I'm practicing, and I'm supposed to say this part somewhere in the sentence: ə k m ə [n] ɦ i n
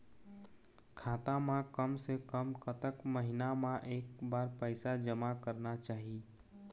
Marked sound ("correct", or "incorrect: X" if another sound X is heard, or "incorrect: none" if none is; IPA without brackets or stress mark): incorrect: none